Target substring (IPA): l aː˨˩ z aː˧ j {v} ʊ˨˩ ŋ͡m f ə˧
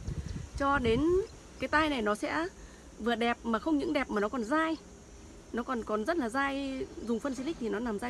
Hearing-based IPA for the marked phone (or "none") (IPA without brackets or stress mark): z